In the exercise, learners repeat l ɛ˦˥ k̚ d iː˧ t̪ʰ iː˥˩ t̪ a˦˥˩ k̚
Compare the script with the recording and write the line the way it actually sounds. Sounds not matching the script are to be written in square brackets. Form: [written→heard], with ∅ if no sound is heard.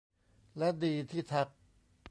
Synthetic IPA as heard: l ɛ˦˥ [k̚→∅] d iː˧ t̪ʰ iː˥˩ [t̪→t̪ʰ] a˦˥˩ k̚